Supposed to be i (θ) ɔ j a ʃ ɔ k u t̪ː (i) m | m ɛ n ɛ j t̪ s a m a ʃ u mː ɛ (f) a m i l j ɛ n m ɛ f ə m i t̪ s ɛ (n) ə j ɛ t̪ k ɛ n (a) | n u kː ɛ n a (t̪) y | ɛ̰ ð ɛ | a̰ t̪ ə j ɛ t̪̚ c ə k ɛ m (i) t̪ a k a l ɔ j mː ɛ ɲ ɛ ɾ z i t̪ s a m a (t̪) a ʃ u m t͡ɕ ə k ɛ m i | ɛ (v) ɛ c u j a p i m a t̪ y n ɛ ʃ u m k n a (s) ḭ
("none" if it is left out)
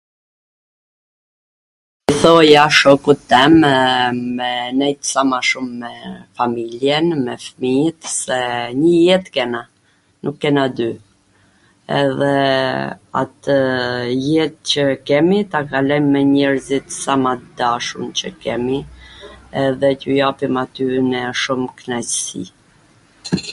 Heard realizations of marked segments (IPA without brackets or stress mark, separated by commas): θ, ɛ, f, ɲ, a, d̪, i, d̪, ð, s